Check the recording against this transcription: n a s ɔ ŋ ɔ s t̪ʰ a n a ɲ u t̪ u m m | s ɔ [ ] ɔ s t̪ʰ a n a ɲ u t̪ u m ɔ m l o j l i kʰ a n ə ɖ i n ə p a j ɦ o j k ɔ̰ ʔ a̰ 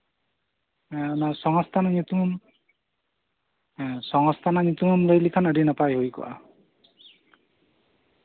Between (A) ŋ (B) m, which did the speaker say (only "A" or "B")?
A